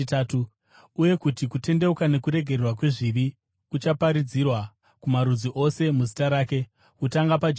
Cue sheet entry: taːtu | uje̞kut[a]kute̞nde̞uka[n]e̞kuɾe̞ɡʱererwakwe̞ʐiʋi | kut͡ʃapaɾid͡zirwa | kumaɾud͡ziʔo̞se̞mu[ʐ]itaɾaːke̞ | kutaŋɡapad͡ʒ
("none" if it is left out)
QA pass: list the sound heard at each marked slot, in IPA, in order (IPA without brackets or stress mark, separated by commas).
i, n, z